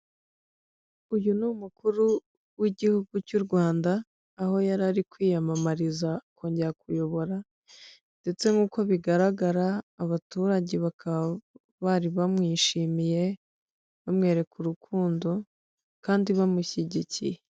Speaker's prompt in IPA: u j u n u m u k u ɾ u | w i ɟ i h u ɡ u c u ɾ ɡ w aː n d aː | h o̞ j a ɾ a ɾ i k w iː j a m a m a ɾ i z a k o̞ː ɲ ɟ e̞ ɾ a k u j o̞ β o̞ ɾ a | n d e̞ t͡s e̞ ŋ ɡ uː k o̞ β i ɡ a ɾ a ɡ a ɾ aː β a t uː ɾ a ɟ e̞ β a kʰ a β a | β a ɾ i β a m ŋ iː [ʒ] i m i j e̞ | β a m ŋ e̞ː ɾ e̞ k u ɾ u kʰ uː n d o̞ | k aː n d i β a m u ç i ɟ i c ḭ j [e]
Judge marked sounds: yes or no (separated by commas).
no, yes